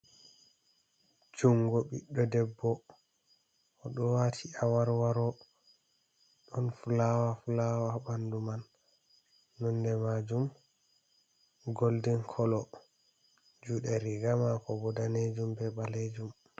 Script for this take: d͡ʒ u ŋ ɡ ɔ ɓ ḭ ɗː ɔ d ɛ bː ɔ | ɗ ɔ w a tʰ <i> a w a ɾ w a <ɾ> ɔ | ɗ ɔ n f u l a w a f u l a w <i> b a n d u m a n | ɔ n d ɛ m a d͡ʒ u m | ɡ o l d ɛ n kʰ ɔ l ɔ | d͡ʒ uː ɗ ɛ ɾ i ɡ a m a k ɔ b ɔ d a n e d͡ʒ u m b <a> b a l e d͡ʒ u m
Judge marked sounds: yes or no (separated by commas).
yes, yes, no, no